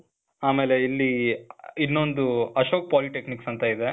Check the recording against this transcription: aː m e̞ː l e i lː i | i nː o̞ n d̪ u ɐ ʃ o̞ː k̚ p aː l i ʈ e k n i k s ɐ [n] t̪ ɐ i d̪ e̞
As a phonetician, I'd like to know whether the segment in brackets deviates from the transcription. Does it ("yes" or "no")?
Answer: no